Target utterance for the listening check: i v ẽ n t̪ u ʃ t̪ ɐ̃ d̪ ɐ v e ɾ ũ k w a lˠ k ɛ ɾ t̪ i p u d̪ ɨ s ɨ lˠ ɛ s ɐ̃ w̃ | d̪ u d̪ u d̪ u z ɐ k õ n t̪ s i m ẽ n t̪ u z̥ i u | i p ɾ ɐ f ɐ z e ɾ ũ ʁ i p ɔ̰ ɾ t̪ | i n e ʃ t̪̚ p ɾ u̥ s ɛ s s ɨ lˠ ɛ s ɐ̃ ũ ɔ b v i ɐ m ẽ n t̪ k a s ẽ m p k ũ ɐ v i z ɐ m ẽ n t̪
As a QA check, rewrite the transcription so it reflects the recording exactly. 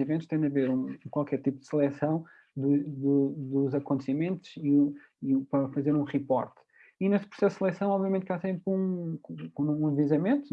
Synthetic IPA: i v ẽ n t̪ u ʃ t̪ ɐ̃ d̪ ɐ v e ɾ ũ k w a lˠ k ɛ ɾ t̪ i p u d̪ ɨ s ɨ lˠ ɛ s ɐ̃ w̃ | d̪ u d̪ u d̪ u z ɐ k õ n t̪ s i m ẽ n t̪ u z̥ i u | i p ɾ ɐ f ɐ z e ɾ ũ ʁ i p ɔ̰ ɾ t̪ | i n e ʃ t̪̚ p ɾ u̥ s ɛ s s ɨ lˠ ɛ s ɐ̃ w̃ ɔ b v i ɐ m ẽ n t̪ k a s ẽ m p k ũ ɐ v i z ɐ m ẽ n t̪